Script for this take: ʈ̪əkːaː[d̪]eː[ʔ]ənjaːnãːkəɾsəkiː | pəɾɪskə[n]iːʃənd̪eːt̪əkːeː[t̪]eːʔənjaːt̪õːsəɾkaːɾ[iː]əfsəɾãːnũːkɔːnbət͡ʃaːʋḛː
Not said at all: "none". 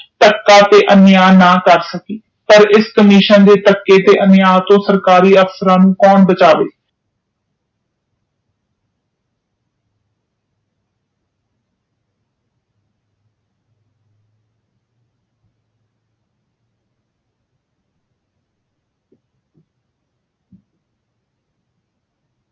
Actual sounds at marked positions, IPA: t̪, ʔ, m, t̪, iː

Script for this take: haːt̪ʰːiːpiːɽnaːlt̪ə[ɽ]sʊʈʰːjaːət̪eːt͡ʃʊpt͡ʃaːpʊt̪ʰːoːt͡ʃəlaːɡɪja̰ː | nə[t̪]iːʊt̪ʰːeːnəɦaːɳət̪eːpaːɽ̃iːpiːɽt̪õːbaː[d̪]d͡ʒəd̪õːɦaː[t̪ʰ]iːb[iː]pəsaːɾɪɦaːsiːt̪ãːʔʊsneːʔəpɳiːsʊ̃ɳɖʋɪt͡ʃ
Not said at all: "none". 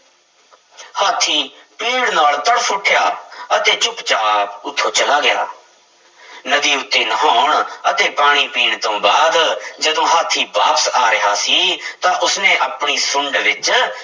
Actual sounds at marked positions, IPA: ɽ, d̪, d̪, t̪ʰ, aː

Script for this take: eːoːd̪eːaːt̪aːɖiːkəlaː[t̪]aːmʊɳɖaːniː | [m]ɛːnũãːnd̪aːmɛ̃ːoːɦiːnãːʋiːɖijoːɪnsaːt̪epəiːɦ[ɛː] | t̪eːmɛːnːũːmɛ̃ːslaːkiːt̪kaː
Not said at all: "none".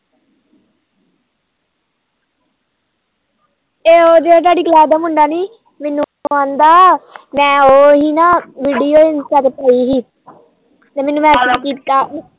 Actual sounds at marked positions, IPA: d̪, m, iː

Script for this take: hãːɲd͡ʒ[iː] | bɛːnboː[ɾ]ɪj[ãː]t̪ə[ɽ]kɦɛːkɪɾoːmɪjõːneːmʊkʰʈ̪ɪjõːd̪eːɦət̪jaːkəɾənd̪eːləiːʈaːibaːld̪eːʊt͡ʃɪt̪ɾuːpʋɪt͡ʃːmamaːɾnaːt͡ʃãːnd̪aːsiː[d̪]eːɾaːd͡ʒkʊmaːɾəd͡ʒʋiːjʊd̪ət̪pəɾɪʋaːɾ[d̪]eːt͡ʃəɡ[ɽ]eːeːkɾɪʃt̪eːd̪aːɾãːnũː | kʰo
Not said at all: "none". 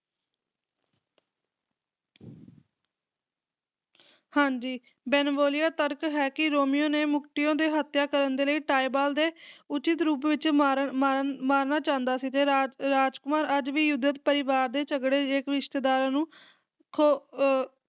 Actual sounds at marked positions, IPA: iː, l, aː, ɾ, t̪, d̪, ɽ

